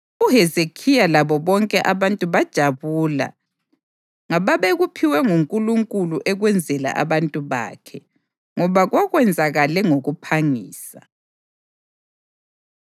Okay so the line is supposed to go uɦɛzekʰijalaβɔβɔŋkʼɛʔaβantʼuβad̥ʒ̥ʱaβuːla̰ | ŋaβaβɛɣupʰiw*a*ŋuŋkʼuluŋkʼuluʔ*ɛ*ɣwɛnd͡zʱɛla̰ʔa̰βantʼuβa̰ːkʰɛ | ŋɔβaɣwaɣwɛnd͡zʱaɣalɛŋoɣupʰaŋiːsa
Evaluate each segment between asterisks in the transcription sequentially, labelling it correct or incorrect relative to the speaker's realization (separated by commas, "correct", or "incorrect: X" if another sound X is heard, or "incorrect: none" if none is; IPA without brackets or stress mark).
incorrect: ɛ, correct